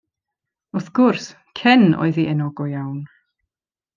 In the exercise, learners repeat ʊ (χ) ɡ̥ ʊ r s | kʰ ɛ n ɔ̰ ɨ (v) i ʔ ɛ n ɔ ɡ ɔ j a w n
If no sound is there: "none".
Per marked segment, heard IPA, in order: θ, ð

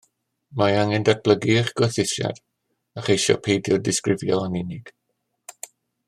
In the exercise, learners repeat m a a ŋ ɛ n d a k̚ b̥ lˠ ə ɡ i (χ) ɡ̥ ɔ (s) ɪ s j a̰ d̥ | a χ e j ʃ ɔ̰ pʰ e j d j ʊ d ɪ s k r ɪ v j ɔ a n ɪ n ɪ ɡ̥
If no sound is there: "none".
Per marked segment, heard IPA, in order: χ, θ

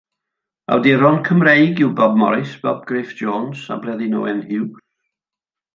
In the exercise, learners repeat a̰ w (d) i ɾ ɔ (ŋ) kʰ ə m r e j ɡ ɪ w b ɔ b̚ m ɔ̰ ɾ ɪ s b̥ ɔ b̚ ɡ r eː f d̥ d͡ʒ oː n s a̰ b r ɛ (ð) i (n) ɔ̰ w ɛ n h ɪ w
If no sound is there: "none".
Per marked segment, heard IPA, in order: d, n, ð, n

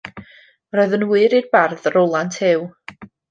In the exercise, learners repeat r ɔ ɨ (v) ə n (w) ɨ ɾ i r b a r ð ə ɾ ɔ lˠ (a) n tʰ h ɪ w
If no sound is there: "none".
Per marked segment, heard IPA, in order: ð, w, a

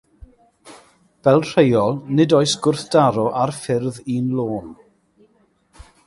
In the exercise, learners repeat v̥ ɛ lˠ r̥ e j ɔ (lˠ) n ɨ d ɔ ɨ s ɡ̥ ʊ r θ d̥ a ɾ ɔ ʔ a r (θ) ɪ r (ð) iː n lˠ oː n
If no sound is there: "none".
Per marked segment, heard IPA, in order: lˠ, f, ð

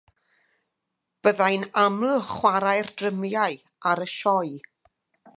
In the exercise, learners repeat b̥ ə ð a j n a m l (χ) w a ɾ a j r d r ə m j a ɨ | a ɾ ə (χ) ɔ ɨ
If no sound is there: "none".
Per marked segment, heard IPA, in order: χ, ʃ

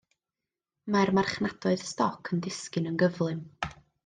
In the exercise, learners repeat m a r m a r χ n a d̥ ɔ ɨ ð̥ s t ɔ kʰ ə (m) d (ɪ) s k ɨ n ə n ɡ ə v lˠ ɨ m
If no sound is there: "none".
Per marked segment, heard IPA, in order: n, ɪ

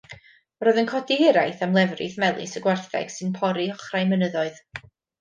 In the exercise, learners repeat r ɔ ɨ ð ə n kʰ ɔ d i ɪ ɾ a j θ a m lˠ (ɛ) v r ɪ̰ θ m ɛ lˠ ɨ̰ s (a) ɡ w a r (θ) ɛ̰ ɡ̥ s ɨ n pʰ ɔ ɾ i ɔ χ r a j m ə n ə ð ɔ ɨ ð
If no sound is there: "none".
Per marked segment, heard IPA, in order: ɛ, ə, θ

